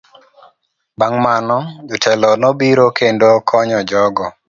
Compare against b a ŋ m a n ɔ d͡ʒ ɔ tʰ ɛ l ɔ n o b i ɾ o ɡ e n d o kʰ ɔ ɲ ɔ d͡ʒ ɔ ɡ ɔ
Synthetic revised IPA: b a ŋ m a n ɔ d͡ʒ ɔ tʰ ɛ l ɔ n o b i ɾ o k e n d o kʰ ɔ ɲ ɔ d͡ʒ ɔ ɡ ɔ